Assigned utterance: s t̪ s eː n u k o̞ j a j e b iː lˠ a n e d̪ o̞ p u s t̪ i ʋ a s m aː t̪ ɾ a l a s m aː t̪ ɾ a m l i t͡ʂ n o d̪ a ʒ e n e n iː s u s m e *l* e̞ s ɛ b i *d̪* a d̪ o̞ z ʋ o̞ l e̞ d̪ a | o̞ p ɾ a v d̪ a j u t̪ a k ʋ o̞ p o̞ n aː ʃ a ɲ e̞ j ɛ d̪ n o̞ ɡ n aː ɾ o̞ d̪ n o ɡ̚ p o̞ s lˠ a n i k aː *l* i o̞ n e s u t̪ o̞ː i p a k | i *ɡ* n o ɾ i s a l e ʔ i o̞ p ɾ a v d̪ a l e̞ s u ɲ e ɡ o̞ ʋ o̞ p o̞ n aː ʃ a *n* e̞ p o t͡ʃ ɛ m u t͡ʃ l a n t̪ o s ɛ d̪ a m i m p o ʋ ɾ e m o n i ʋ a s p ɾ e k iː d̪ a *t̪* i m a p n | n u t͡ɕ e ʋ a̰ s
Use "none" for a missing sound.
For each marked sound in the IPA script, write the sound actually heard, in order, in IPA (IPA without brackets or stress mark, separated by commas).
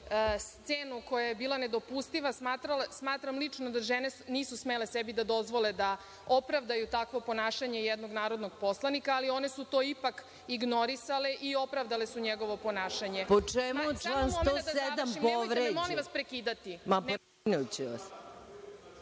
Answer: l, d̪, l, ɡ, ɲ, t̪